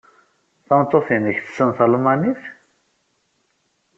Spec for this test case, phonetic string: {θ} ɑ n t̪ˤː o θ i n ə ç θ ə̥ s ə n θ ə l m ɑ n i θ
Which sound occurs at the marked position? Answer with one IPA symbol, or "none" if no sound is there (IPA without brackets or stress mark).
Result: θ